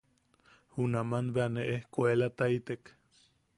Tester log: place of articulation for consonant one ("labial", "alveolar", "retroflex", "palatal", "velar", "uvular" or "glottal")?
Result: glottal